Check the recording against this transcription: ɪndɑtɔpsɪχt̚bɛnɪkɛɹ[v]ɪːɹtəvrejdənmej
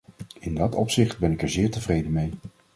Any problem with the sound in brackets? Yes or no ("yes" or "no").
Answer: yes